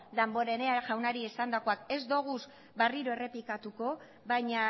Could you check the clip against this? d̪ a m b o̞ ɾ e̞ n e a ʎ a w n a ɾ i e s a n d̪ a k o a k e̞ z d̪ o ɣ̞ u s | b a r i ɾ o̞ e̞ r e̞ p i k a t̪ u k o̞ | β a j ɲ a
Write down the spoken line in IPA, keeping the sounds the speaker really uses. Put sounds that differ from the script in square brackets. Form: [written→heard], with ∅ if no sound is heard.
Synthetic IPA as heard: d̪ a m b o̞ ɾ e̞ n e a [ʎ→ʝ] a w n a ɾ i e s a n d̪ a k o a k e̞ z d̪ o ɣ̞ u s | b a r i ɾ o̞ e̞ r e̞ p i k a t̪ u k o̞ | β a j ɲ a

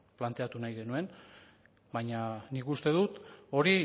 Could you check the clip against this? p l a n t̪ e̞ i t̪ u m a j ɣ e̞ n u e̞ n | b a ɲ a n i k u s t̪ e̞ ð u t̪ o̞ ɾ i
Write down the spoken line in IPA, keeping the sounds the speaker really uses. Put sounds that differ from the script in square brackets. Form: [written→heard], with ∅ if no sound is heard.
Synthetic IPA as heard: p l a n t̪ e̞ [i→a] t̪ u [m→n] a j ɣ e̞ n u e̞ n | b a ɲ a n i k u s t̪ e̞ ð u t̪ o̞ ɾ i

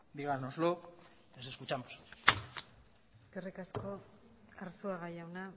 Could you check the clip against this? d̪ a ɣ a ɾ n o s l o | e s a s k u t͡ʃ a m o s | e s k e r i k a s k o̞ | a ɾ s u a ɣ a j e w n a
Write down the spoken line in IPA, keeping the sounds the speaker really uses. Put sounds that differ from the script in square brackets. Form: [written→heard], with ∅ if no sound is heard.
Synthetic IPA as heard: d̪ [a→i] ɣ a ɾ n o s l o | e s [a→e] s k u t͡ʃ a m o s | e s k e r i k a s k o̞ | a ɾ s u a ɣ a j [e→a] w n a

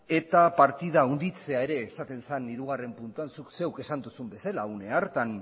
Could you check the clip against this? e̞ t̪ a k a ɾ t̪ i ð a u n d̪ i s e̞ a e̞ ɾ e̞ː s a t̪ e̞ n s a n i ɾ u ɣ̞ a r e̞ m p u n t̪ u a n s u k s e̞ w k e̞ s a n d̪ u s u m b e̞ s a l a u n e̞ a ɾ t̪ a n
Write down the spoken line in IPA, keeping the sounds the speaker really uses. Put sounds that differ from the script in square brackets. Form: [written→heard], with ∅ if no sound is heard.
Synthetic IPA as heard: e̞ t̪ a [k→p] a ɾ t̪ i ð a u n d̪ i [s→t͡s] e̞ a e̞ ɾ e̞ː s a t̪ e̞ n s a n i ɾ u ɣ̞ a r e̞ m p u n t̪ u a n s u k s e̞ w k e̞ s a n d̪ u s u m b e̞ s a l a u n e̞ a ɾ t̪ a n

